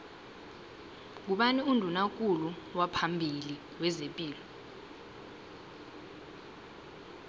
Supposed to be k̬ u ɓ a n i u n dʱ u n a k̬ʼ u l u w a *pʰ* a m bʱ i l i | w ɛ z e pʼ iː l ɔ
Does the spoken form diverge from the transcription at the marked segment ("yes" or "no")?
no